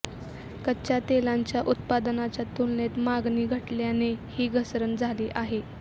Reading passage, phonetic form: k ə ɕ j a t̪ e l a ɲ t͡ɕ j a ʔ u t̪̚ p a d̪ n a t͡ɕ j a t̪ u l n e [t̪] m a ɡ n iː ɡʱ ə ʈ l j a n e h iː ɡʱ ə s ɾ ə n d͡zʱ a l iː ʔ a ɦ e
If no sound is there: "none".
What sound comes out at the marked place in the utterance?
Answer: t̪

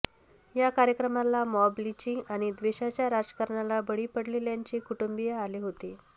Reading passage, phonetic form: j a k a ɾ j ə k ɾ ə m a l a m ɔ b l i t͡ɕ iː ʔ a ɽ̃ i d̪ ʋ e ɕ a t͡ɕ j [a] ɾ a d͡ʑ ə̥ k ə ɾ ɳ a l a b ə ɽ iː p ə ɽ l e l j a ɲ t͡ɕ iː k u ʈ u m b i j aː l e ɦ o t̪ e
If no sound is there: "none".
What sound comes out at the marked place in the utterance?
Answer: a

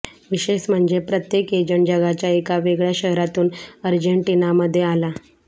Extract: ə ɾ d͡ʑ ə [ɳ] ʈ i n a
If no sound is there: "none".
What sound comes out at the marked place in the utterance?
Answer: ɳ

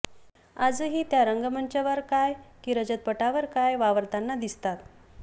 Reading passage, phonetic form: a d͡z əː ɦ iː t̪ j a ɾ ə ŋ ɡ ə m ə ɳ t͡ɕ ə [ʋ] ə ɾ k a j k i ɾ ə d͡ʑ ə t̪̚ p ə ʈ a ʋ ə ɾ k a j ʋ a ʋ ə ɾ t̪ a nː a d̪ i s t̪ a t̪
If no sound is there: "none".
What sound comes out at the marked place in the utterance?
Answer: ʋ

